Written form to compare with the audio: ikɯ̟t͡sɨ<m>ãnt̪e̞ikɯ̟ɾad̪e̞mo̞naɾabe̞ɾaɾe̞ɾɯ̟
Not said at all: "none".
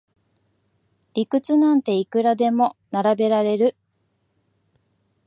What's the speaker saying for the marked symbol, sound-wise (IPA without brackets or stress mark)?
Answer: n